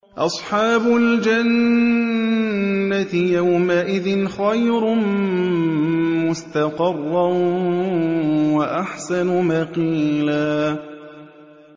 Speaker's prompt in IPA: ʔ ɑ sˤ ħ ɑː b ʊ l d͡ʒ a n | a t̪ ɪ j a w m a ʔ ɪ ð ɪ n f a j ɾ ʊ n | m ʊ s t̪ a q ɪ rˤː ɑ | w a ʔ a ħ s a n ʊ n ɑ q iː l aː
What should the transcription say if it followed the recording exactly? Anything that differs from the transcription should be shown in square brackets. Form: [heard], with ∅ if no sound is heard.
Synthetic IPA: ʔ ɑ sˤ ħ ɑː b ʊ l d͡ʒ a n | a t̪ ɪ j a w m a ʔ ɪ ð ɪ n [x] a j ɾ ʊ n | m ʊ s t̪ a q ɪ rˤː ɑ | w a ʔ a ħ s a n ʊ [m] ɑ q iː l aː